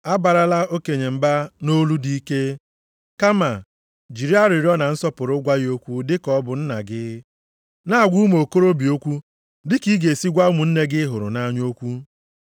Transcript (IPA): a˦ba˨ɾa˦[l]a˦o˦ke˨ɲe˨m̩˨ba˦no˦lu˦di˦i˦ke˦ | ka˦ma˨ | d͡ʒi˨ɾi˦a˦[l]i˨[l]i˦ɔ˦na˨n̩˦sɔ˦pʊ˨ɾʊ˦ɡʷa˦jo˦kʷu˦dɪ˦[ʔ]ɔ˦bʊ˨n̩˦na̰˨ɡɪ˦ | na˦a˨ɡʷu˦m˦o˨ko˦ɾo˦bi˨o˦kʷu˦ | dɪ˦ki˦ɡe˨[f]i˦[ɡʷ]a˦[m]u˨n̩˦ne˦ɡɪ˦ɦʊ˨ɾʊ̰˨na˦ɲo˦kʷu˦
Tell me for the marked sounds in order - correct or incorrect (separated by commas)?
correct, incorrect, incorrect, incorrect, incorrect, correct, correct